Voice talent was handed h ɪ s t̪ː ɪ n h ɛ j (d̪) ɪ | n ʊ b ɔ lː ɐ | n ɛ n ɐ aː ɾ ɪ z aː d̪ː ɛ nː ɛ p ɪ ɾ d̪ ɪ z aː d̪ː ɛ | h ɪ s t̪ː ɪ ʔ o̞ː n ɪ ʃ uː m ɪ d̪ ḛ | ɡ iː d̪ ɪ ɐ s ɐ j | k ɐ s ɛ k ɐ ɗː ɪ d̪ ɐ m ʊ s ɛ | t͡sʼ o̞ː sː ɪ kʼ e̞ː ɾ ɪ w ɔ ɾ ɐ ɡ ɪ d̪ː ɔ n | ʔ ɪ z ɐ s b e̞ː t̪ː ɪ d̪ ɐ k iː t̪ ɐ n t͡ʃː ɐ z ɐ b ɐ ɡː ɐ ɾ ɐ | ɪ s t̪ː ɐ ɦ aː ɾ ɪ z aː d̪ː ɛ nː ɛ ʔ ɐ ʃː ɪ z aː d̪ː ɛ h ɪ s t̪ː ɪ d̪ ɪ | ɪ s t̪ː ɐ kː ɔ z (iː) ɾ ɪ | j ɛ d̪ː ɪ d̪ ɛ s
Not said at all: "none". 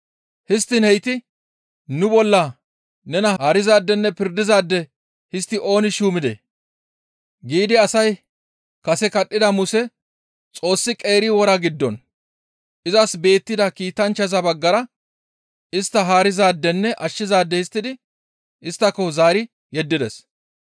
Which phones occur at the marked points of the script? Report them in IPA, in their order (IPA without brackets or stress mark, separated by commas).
t̪, aː